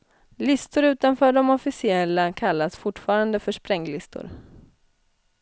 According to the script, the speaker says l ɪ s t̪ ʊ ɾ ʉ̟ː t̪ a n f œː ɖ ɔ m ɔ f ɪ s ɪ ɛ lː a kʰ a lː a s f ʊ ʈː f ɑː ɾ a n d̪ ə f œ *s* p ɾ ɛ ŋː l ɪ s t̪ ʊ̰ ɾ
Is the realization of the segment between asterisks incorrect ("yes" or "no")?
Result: yes